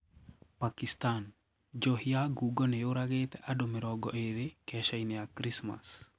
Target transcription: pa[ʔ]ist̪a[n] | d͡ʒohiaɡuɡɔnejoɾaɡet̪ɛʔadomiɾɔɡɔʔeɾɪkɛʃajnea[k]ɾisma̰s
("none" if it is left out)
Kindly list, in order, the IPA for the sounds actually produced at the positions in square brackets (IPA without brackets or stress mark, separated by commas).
k, n, k